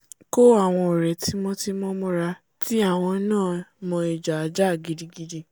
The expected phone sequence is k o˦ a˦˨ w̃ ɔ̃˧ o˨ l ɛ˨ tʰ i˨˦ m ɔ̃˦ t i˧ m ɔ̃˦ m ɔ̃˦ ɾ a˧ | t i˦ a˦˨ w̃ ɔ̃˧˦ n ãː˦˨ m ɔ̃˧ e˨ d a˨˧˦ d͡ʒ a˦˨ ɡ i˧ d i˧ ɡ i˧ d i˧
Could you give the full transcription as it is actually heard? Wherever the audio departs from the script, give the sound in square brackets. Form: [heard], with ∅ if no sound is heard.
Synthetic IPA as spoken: k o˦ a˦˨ w̃ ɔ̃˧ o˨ [ɾ] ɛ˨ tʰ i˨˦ m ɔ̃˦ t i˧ m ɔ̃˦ m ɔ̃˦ ɾ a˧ | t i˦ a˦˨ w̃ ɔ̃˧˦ n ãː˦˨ m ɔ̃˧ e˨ [d͡ʒ] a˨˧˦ d͡ʒ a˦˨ ɡ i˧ d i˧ ɡ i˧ d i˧